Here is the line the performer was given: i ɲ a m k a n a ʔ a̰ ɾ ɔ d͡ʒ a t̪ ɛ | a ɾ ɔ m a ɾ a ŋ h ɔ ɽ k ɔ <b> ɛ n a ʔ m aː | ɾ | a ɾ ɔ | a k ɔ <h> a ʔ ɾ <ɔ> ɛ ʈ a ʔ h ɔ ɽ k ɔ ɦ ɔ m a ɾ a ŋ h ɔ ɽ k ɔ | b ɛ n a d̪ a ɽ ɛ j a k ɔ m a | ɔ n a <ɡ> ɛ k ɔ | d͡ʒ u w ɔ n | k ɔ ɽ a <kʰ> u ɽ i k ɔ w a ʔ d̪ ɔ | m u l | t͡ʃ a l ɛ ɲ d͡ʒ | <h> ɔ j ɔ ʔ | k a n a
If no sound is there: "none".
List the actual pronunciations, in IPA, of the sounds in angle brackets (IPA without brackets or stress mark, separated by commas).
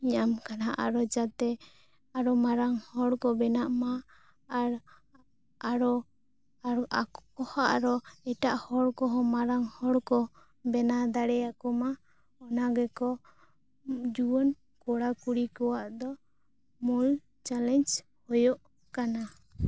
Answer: b, h, ɔ, ɡ, k, h